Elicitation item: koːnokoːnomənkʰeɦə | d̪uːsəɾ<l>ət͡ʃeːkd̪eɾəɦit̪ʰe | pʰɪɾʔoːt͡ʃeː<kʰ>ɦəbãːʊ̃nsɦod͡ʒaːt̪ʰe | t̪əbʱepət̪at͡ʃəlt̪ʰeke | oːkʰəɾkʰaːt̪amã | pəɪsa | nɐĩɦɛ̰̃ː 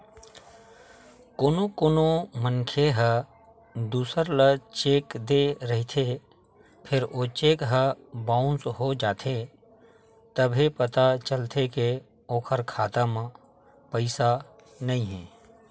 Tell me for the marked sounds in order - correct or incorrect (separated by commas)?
correct, incorrect